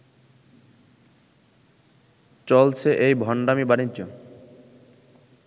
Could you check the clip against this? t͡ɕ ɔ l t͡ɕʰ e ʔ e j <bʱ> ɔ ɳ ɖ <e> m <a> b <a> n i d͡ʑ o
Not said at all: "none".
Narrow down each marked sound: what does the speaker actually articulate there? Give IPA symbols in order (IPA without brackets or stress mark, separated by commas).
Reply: bʱ, a, i, a